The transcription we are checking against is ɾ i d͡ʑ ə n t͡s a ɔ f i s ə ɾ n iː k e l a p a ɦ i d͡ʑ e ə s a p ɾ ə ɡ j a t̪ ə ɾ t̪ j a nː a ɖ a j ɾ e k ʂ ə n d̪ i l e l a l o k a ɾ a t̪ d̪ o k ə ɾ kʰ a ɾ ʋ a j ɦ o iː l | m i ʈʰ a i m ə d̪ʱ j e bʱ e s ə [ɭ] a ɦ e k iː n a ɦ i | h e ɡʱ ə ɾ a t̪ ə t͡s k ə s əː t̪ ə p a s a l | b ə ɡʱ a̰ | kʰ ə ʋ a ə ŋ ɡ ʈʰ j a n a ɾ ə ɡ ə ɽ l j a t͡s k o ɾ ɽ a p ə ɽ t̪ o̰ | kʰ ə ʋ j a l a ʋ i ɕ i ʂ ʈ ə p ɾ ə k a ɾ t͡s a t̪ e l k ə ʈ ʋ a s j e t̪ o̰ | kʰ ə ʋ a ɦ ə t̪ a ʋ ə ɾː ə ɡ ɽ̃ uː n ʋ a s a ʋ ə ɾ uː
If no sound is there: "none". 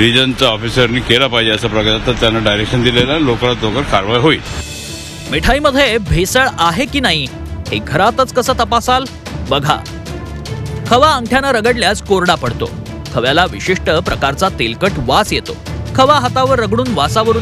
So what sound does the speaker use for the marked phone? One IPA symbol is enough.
ɭ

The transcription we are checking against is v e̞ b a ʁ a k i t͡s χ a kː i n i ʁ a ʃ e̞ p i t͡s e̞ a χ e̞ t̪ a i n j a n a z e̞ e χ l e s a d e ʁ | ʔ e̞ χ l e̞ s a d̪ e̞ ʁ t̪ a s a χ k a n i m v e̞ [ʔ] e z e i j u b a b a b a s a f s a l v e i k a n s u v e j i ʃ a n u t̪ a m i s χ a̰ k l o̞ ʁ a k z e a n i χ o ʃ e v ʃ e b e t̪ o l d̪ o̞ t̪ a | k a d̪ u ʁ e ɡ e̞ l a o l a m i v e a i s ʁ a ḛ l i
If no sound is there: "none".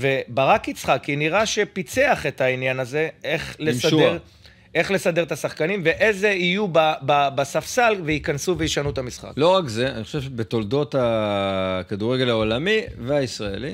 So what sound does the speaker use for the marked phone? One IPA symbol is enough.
ʔ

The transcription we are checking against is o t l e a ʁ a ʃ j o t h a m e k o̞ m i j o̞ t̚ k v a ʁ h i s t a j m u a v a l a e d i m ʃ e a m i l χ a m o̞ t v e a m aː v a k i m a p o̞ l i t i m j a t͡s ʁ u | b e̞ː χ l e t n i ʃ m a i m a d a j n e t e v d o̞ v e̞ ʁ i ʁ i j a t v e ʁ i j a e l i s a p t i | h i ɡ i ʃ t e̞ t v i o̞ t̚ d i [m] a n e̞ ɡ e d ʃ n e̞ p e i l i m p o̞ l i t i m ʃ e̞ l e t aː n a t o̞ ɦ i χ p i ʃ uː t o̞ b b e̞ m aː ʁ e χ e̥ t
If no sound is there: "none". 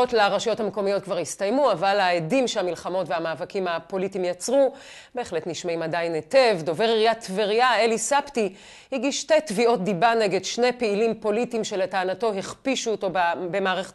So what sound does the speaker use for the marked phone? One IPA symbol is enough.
b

